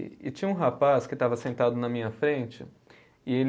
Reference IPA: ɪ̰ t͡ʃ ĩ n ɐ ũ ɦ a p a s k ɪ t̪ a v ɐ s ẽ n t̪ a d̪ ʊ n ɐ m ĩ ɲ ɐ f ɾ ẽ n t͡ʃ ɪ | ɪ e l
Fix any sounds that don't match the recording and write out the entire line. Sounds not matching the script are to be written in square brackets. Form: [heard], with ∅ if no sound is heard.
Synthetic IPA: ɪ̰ t͡ʃ ĩ [ɲ] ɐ ũ ɦ a p a s k ɪ t̪ a v ɐ s ẽ n t̪ a d̪ ʊ n ɐ m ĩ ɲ ɐ f ɾ ẽ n t͡ʃ ɪ | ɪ e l